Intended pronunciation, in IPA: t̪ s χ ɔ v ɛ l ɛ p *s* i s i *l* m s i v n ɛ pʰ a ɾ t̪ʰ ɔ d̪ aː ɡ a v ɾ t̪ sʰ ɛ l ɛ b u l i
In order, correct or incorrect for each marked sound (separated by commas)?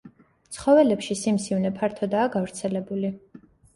incorrect, incorrect